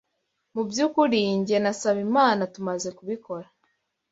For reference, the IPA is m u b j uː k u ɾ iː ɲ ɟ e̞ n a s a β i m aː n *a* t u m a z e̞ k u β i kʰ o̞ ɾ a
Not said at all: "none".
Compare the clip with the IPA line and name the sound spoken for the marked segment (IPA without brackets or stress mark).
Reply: a